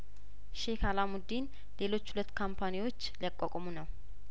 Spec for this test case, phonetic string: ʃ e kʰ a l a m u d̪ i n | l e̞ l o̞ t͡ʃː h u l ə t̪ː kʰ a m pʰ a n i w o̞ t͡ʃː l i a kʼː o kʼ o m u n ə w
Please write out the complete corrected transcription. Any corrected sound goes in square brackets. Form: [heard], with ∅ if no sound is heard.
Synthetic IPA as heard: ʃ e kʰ a l a m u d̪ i n | l e̞ l o̞ t͡ʃː h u l ə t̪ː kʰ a m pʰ a n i w o̞ t͡ʃː l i a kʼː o kʼ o m u n ə w